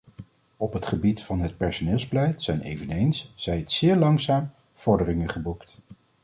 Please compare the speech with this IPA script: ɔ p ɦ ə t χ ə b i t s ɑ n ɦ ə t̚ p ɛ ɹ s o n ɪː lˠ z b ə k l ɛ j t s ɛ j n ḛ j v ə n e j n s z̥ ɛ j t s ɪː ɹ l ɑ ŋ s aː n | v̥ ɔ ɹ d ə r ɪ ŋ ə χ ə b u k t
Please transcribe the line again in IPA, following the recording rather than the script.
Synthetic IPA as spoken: ɔ p ɦ ə t χ ə b i t f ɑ n ɦ ə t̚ p ɛ ɹ s o n ɪː lˠ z b ə l ɛ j t s ɛ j n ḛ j v ə n e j n s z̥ ɛ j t s ɪː ɹ l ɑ ŋ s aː m | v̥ ɔ ɹ d ə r ɪ ŋ ə χ ə b u k t